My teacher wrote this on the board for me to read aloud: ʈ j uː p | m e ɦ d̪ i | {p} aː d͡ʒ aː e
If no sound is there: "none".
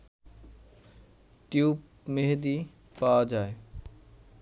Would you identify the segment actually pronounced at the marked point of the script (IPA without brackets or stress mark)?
p